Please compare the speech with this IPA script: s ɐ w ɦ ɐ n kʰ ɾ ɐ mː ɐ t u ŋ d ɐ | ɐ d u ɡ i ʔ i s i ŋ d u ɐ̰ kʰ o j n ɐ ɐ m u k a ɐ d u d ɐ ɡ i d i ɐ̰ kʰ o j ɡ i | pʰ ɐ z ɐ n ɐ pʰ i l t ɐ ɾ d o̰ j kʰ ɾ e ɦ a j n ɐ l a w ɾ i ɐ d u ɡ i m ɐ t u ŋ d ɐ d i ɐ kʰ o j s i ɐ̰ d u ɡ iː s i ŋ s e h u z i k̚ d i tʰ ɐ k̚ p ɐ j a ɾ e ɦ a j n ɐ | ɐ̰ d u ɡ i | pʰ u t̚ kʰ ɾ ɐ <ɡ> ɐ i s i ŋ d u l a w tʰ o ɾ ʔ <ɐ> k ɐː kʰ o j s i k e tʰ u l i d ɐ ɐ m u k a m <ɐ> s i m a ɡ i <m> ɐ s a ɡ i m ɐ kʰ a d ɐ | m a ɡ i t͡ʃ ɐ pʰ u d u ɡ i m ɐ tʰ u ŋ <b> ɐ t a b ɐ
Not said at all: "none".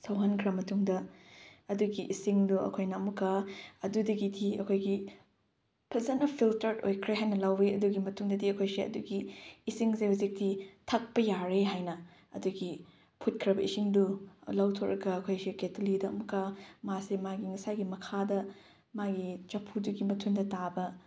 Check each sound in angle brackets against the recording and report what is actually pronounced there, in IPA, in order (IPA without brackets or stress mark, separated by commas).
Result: b, ɐ, a, ŋ, d